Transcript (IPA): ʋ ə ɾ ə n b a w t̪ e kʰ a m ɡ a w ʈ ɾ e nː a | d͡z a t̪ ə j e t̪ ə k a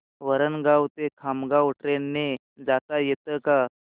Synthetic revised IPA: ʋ ə ɾ ə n ɡ a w t̪ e kʰ a m ɡ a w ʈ ɾ e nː e | d͡z a t̪ a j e t̪ ə k a